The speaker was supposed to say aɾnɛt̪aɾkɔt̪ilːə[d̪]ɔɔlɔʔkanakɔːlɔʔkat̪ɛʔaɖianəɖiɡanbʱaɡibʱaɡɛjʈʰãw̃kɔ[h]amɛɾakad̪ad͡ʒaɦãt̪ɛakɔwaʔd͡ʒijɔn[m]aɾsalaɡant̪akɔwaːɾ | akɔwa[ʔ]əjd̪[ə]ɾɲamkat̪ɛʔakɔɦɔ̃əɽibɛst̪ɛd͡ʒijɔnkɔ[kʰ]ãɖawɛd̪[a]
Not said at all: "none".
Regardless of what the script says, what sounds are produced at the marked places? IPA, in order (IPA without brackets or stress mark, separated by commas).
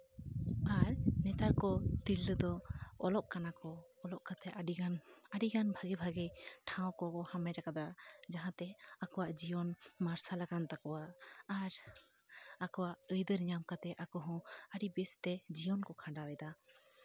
d̪, h, m, ʔ, ə, kʰ, a